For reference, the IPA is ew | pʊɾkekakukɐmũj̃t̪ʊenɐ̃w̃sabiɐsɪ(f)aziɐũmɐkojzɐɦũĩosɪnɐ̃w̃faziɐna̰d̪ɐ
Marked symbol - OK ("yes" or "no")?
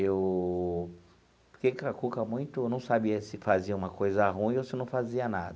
yes